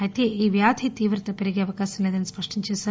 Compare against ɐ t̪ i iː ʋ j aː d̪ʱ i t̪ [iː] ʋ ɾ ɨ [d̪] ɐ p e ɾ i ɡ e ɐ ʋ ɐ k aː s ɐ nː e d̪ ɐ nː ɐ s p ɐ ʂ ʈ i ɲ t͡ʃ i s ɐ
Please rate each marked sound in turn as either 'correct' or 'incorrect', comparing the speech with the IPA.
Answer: correct, incorrect

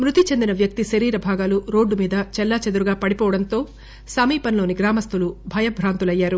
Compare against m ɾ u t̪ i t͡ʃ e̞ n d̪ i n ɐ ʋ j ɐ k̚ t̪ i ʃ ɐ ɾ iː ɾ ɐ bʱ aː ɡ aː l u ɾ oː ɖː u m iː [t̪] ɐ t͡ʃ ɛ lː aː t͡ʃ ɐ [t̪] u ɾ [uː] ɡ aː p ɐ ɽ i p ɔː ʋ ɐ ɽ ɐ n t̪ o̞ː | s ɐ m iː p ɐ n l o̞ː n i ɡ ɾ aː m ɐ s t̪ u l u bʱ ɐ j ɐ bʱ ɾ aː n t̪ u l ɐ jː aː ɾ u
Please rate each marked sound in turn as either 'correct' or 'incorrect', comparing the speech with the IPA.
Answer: incorrect, incorrect, incorrect

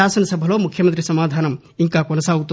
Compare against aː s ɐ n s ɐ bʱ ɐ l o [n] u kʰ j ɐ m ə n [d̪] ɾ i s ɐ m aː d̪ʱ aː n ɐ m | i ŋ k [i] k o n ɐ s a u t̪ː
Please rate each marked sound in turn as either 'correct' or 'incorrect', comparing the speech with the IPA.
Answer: incorrect, incorrect, incorrect

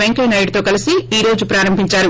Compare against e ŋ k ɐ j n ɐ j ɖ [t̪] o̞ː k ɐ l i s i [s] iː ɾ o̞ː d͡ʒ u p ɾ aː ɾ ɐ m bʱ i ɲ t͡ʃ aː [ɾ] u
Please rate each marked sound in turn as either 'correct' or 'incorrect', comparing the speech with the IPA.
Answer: correct, incorrect, correct

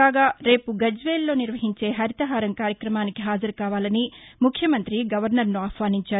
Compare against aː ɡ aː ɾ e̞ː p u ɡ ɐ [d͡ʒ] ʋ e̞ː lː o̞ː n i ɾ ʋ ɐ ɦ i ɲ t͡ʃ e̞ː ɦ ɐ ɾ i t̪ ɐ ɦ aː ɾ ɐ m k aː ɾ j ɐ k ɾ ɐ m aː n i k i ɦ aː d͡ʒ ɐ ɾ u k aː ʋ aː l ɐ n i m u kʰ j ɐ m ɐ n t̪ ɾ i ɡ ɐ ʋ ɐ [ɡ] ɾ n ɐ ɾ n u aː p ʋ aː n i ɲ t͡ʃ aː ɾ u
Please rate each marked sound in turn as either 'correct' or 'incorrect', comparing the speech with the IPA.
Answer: correct, incorrect

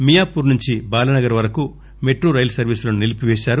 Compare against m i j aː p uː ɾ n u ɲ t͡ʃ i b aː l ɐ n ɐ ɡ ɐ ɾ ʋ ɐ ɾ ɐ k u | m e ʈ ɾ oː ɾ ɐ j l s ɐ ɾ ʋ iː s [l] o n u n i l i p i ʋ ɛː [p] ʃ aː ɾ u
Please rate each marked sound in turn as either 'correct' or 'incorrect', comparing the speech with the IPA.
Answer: correct, incorrect

